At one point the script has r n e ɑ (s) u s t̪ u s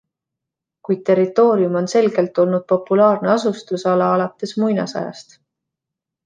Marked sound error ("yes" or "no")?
no